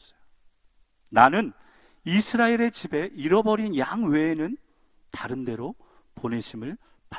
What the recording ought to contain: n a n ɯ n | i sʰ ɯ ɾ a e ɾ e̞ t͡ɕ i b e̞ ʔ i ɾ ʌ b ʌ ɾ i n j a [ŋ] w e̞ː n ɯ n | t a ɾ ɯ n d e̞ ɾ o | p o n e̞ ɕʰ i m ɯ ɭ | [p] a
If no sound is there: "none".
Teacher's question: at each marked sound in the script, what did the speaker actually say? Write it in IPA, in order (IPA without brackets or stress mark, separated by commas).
ŋ, p